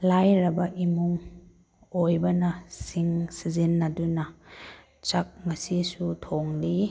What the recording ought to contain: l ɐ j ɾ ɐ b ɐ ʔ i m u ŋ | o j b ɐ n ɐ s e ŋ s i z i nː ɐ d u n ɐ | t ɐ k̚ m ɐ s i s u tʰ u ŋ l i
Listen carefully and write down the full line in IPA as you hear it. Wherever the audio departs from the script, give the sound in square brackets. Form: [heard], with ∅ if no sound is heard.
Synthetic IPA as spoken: l [a] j ɾ ɐ b ɐ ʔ i m u ŋ | o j b ɐ n ɐ s [i] ŋ s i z i nː ɐ d u n ɐ | [t͡ʃ] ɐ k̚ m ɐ s i s u tʰ [o] ŋ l i